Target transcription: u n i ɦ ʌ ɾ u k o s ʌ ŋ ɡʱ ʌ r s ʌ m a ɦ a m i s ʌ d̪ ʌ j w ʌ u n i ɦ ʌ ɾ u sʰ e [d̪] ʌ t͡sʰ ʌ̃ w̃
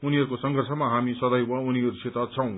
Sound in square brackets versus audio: incorrect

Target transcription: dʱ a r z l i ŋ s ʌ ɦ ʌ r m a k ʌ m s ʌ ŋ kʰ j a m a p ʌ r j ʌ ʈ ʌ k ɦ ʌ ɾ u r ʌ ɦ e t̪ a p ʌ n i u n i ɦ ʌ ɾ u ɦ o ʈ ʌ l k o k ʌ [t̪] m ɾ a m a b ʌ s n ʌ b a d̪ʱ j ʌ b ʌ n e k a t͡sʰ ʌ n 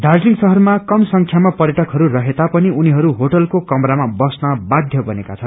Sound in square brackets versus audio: incorrect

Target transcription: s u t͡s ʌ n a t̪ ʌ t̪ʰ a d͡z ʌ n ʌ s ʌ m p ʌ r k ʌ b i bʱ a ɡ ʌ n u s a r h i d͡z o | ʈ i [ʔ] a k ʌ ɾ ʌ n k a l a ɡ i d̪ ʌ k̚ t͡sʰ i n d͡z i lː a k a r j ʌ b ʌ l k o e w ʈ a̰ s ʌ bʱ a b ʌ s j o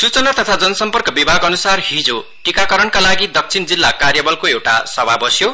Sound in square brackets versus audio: incorrect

